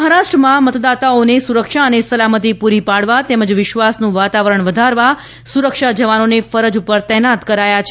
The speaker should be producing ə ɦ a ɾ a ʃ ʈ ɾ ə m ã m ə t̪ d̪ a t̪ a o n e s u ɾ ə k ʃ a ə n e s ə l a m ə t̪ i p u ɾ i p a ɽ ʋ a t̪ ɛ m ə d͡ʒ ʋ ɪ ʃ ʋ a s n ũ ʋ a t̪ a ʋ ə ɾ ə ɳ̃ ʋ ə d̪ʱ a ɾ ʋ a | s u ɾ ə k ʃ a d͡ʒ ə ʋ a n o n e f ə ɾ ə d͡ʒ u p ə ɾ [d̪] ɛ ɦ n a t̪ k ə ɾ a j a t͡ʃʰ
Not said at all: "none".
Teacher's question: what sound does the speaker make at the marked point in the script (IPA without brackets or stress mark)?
t̪